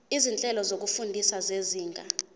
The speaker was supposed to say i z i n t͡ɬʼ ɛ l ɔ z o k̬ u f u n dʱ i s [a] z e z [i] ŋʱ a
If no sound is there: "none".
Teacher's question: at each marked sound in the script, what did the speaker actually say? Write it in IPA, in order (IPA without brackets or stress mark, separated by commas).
a, iː